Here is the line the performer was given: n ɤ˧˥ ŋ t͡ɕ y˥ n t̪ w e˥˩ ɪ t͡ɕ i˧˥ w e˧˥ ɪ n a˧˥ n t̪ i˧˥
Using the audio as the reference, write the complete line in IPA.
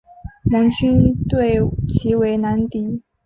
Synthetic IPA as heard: m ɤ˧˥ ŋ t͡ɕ y˥ n t̪ w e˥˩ ɪ t͡ɕʰ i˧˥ w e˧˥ ɪ n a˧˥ n t̪ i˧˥